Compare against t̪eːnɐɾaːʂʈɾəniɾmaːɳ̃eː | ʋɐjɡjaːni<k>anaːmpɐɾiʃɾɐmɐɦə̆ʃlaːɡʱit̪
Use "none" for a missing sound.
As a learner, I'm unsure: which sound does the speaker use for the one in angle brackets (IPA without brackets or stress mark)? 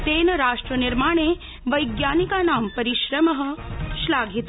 k